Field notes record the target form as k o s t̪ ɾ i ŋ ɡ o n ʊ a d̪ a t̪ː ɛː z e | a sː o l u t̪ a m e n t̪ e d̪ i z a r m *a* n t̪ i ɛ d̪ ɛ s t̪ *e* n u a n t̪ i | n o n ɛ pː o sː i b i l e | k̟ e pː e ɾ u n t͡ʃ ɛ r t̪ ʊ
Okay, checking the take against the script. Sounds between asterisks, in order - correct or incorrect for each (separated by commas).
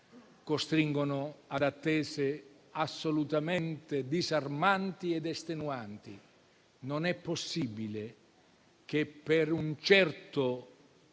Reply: correct, correct